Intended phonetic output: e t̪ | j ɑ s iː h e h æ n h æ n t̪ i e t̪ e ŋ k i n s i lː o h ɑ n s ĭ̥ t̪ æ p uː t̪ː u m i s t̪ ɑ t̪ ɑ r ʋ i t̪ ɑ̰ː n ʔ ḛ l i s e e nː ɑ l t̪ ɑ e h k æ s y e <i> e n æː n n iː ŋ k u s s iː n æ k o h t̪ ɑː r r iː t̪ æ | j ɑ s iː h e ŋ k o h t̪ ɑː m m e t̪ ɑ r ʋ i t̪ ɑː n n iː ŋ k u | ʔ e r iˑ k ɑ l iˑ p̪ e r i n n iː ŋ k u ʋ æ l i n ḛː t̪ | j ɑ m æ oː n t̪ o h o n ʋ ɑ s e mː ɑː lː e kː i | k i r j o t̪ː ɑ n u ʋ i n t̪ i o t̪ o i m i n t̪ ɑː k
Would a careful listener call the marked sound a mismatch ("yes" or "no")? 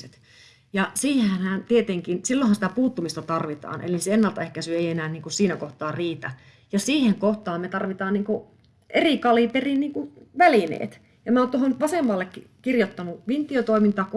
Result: no